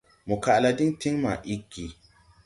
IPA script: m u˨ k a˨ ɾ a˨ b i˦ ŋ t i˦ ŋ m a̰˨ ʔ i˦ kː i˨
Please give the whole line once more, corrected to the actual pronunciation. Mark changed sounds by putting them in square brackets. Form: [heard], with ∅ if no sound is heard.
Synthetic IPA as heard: m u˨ k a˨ [l] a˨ [d] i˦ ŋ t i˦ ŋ m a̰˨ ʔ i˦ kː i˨